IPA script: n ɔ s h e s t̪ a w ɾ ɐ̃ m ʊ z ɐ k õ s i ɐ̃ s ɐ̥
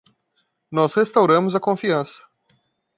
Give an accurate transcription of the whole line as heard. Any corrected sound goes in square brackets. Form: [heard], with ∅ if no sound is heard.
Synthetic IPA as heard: n ɔ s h e s t̪ a w ɾ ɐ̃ m ʊ z ɐ k õ [f] i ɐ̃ s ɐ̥

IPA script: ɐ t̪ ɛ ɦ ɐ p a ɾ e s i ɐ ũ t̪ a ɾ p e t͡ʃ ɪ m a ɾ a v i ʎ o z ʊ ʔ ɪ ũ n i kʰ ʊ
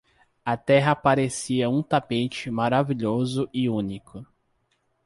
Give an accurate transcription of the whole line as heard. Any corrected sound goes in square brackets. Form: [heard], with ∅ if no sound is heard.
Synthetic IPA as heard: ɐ t̪ ɛ ɦ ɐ p a ɾ e s i ɐ ũ t̪ a [∅] p e t͡ʃ ɪ m a ɾ a v i ʎ o z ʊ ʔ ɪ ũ n i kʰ ʊ

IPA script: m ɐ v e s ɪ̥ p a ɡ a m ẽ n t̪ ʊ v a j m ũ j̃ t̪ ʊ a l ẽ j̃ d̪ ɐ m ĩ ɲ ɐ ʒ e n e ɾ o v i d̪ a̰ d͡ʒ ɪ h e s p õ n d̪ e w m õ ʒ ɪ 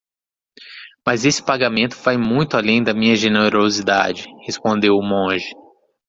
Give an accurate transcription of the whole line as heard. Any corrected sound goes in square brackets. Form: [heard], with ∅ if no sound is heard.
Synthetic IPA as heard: m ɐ [z] e s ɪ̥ p a ɡ a m ẽ n t̪ ʊ v a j m ũ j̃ t̪ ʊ a l ẽ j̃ d̪ ɐ m ĩ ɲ ɐ ʒ e n e ɾ o [z] i d̪ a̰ d͡ʒ ɪ h e s p õ n d̪ e w m õ ʒ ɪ

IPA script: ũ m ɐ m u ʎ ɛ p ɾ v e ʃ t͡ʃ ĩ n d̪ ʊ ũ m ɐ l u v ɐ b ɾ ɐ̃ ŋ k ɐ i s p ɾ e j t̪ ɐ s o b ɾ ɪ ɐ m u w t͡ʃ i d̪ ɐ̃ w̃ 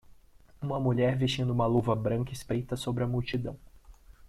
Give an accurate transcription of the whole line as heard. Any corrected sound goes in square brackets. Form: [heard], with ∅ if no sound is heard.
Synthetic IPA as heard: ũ m ɐ m u ʎ ɛ [∅] ɾ v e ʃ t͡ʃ ĩ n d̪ ʊ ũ m ɐ l u v ɐ b ɾ ɐ̃ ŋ k ɐ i s p ɾ e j t̪ ɐ s o b ɾ ɪ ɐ m u w t͡ʃ i d̪ ɐ̃ w̃

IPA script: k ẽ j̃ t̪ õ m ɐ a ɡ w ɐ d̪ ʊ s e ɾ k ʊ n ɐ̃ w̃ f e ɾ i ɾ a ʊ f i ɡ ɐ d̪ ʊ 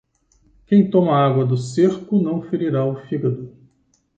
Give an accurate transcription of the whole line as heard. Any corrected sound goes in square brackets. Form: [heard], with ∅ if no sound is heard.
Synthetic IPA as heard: k ẽ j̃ t̪ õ m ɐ a ɡ w ɐ d̪ ʊ s e ɾ k ʊ n ɐ̃ w̃ f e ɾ i ɾ a ʊ f i ɡ ɐ d̪ ʊ

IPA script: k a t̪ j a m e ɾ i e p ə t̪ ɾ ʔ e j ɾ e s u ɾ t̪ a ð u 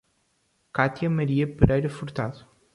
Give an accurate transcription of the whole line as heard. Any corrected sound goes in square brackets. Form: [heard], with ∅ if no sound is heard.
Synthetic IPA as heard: k a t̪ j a m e ɾ i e p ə [∅] ɾ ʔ [a] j ɾ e [f] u ɾ t̪ a ð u

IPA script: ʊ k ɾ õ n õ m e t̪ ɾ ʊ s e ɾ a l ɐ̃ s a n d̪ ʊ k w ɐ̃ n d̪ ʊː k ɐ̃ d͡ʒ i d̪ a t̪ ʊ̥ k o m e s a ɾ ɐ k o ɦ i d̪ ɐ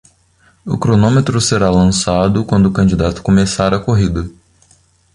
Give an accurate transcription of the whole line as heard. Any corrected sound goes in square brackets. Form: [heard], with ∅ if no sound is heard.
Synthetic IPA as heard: ʊ k ɾ [o] n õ m e t̪ ɾ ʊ s e ɾ a l ɐ̃ s a [∅] d̪ ʊ k w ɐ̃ n d̪ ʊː k ɐ̃ d͡ʒ i d̪ a t̪ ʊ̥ k o m e s a ɾ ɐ k o ɦ i d̪ ɐ

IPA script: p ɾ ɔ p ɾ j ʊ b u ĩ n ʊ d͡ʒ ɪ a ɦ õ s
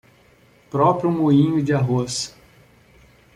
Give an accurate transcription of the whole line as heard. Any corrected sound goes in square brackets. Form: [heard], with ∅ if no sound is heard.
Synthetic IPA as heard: p ɾ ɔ p ɾ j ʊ [m] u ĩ [ɲ] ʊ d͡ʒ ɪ a ɦ [o] s

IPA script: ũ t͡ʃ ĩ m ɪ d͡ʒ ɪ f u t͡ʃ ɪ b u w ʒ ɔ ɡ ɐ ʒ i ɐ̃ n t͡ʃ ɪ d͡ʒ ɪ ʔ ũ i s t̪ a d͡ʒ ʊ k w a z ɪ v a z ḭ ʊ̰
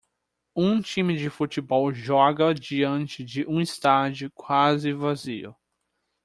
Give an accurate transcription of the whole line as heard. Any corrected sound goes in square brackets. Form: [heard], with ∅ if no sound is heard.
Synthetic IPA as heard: ũ t͡ʃ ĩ m ɪ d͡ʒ ɪ f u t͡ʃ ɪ b [ɔ] w ʒ ɔ ɡ ɐ [d͡ʒ] i ɐ̃ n t͡ʃ ɪ d͡ʒ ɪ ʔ ũ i s t̪ a d͡ʒ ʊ k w a z ɪ v a z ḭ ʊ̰

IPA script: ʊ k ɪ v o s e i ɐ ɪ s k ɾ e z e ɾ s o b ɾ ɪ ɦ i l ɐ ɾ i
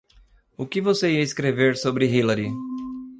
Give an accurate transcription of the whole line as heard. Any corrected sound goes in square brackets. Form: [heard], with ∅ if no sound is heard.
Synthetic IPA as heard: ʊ k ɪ v o s e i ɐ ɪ s k ɾ e [v] e ɾ s o b ɾ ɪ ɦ i l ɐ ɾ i

